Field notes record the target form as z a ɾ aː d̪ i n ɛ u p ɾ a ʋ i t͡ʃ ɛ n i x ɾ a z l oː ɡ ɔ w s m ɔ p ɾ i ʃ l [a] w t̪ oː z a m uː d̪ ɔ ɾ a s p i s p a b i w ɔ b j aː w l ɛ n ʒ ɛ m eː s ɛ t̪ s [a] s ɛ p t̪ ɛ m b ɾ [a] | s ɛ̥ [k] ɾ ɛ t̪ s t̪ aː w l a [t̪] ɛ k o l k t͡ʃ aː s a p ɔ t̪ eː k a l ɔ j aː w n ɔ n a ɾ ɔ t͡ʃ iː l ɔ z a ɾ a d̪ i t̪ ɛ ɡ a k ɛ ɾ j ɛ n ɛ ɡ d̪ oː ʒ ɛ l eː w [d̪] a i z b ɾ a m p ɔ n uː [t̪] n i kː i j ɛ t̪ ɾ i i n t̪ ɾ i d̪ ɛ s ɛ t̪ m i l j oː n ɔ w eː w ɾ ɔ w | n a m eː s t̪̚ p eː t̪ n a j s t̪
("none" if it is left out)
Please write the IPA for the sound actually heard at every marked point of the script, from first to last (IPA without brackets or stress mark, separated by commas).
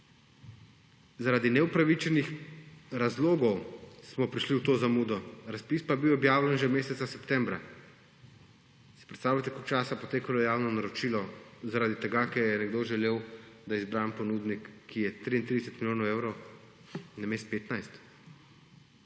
i, a, a, p, t̪, d̪, d̪